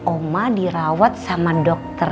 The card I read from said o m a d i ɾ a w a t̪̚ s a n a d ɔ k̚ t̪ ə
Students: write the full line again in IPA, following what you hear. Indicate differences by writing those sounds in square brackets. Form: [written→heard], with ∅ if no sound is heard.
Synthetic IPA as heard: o m a d i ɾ a w a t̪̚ s a [n→m] a d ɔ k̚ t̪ ə